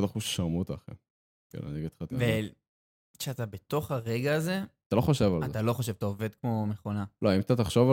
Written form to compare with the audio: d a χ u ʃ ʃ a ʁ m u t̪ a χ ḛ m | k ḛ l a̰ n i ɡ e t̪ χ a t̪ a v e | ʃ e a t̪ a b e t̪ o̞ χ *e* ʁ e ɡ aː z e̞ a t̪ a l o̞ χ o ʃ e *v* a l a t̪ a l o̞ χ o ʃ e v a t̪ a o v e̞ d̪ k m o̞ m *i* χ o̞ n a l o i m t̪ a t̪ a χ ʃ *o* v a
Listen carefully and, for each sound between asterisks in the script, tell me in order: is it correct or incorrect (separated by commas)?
incorrect, correct, incorrect, correct